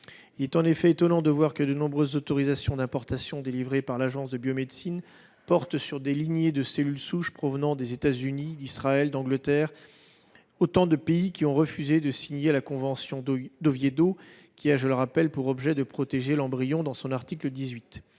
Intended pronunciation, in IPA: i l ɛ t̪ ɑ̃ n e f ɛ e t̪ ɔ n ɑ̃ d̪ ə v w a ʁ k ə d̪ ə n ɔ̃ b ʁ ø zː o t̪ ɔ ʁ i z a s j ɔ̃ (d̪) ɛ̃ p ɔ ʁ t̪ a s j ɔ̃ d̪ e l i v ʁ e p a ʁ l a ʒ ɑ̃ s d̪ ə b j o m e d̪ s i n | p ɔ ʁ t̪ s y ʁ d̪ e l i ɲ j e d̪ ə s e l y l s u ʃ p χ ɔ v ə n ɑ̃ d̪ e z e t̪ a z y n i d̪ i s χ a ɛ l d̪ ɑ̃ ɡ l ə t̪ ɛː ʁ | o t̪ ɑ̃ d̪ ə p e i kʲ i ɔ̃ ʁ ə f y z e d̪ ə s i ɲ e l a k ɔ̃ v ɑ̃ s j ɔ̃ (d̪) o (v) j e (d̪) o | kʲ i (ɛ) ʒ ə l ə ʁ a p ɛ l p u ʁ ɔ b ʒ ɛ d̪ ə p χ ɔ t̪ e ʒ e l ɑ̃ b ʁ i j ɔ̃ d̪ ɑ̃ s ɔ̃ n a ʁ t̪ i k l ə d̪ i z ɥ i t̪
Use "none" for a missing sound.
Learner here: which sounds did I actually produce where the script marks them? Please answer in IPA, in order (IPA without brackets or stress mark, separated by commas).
d̪, d̪, v, d̪, a